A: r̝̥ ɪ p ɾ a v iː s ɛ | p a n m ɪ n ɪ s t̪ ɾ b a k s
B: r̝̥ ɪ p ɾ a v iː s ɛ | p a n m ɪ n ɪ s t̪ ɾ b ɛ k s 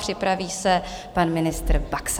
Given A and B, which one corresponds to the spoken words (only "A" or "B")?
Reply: A